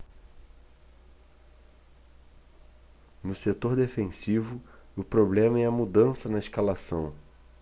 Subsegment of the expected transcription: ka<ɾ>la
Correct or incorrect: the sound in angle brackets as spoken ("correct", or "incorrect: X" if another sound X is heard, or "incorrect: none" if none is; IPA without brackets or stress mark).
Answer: incorrect: none